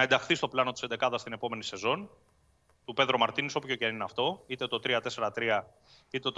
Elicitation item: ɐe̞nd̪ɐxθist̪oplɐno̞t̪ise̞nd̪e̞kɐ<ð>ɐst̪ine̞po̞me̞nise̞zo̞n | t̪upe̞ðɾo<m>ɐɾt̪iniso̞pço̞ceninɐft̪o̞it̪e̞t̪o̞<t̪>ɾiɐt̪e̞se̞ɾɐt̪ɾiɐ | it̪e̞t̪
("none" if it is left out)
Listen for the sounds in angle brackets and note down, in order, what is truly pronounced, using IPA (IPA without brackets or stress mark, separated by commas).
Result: ð, m, t̪